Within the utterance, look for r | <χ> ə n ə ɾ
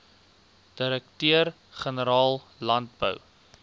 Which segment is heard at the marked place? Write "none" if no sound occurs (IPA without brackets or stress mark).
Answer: χ